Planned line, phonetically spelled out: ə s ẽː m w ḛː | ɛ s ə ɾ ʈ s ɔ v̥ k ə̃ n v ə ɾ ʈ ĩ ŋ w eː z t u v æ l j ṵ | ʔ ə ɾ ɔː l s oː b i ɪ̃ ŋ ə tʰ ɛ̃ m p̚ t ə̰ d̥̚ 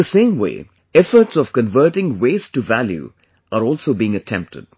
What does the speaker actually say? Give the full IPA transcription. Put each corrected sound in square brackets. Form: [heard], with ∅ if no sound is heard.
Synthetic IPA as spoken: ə s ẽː m w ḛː | ɛ [f] ə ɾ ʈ s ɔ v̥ k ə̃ n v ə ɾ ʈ [ɪ̃] ŋ w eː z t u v æ l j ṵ | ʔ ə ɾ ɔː l s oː b i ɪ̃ ŋ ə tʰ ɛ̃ m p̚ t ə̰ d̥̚